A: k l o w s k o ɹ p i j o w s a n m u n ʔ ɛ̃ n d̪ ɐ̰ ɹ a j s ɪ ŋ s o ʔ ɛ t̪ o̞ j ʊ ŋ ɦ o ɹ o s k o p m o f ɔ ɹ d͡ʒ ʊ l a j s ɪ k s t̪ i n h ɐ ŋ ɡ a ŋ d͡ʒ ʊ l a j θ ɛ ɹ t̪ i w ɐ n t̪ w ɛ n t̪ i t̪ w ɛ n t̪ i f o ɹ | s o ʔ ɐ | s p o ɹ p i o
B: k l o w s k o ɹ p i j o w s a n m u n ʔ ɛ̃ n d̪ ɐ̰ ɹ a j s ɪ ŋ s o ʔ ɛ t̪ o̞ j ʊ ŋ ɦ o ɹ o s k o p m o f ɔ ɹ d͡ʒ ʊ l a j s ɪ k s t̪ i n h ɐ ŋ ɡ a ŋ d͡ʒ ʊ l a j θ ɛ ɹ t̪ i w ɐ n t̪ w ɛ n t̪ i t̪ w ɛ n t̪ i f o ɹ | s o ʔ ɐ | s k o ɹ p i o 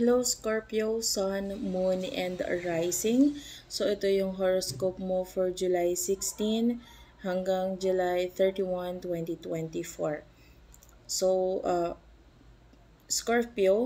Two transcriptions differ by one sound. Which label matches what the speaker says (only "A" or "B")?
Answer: B